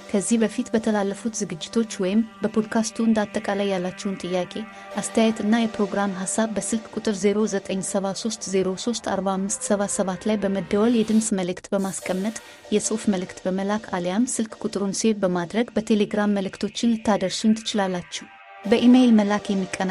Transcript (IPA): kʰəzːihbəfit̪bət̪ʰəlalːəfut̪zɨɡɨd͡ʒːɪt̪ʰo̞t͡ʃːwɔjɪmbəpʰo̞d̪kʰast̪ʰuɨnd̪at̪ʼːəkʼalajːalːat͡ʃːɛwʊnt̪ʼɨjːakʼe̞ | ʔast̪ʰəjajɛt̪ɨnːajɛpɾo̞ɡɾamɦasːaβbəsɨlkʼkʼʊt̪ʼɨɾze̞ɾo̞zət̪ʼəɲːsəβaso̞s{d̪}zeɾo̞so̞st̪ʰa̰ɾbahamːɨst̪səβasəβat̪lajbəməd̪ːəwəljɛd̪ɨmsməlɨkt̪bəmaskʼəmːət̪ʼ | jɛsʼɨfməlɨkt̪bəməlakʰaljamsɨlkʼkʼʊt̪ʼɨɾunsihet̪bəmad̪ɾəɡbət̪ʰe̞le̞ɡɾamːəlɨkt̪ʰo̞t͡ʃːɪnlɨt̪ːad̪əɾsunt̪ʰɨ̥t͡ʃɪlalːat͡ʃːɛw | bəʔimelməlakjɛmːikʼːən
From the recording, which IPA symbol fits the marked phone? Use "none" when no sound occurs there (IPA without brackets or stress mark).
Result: t̪